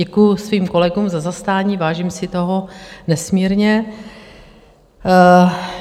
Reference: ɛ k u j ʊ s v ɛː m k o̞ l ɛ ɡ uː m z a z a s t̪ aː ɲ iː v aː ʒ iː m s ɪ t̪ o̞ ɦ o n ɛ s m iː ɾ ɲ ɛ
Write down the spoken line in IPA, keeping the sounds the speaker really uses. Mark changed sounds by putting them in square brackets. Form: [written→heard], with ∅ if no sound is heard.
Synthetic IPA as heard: ɛ k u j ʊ s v [ɛː→iː] m k o̞ l ɛ ɡ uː m z a z a s t̪ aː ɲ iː v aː ʒ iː m s ɪ t̪ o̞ ɦ o n ɛ s m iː ɾ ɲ ɛ